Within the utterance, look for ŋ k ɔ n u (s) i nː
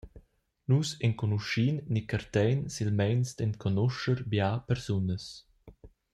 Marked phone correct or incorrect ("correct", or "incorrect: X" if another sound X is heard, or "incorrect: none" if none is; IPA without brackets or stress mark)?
incorrect: ʃ